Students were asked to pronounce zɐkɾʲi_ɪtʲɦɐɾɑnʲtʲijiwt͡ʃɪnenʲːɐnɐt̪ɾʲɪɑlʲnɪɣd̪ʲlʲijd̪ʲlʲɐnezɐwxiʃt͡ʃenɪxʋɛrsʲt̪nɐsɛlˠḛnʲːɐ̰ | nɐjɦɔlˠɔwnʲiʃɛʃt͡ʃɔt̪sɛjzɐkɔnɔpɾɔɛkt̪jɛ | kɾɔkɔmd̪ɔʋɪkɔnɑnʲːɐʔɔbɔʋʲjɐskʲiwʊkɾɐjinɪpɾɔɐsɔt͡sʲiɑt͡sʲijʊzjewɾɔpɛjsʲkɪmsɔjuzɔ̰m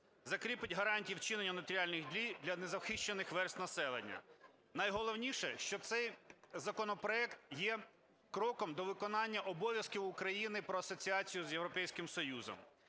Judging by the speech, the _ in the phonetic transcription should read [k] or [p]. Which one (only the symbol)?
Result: p